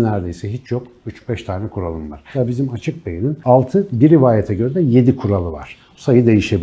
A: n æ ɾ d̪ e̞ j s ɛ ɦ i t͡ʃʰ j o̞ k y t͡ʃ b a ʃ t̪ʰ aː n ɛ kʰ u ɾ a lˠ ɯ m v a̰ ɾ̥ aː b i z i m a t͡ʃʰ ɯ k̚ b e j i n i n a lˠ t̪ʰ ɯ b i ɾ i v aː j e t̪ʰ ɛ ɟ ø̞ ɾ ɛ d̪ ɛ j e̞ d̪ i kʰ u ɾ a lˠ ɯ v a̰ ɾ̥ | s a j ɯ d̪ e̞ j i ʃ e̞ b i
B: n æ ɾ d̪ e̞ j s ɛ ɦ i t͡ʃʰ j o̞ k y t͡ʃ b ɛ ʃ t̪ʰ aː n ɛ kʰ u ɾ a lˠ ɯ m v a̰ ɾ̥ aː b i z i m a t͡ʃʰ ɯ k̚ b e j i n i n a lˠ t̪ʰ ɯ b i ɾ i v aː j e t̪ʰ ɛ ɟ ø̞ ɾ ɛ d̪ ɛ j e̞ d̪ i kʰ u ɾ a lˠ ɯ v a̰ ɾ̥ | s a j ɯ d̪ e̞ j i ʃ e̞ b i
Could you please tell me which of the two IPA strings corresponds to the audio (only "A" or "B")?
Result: B